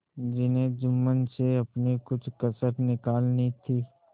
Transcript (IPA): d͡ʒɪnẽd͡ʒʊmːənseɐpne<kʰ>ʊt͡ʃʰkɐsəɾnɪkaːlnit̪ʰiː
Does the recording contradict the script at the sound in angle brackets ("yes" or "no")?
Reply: yes